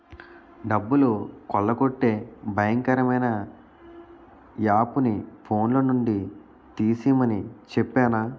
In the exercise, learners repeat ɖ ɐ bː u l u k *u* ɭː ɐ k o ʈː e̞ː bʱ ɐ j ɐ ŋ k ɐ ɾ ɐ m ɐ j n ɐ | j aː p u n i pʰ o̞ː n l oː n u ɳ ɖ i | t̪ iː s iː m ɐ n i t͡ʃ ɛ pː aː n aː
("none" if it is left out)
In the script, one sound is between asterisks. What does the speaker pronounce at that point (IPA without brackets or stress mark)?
ɔ